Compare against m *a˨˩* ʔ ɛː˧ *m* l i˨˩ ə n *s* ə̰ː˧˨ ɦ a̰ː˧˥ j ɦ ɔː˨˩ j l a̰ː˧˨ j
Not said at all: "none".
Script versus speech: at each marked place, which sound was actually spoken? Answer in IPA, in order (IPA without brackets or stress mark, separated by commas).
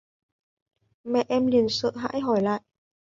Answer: ɛ˨˩, m, s